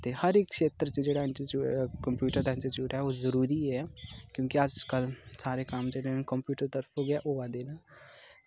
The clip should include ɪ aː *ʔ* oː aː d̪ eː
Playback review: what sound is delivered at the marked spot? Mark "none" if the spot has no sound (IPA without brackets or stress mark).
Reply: ʔ